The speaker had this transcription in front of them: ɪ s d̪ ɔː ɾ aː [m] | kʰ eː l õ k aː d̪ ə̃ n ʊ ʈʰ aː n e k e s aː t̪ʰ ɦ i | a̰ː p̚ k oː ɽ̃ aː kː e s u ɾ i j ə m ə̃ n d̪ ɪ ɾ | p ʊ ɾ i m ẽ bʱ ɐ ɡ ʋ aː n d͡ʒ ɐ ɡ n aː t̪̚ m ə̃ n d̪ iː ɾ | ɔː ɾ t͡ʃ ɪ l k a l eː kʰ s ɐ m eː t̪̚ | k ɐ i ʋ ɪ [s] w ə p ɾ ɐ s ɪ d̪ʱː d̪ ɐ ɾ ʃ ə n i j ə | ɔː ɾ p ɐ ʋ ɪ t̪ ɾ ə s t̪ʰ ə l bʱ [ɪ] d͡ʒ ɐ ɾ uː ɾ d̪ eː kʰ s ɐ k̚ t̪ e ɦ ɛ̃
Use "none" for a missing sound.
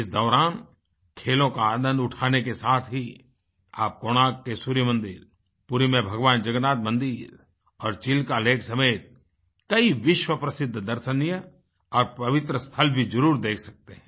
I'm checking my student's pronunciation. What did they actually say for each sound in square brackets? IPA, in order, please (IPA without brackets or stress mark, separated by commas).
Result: n, ʃ, i